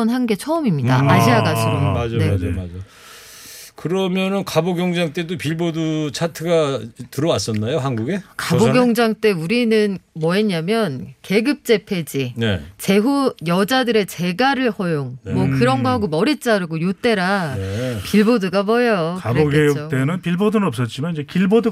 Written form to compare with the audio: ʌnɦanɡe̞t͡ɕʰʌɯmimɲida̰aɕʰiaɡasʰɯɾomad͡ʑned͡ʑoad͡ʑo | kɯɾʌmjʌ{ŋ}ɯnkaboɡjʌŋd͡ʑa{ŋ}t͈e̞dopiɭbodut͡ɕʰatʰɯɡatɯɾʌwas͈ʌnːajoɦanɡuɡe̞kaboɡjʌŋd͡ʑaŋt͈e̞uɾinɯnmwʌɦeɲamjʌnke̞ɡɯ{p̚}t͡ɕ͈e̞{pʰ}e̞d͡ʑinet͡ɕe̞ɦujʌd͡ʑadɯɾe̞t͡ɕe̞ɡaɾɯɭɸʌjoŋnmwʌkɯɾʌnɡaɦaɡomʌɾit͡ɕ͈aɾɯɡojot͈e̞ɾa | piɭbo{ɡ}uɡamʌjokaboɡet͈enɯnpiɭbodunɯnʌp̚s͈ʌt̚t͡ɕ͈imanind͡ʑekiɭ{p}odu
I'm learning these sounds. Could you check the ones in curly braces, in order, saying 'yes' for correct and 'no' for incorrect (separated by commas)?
no, yes, yes, yes, no, no